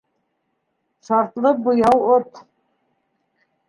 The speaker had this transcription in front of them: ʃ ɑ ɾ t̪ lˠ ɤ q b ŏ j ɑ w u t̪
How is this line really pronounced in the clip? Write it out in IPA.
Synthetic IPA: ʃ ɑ ɾ t̪ lˠ ɤ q b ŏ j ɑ w o t̪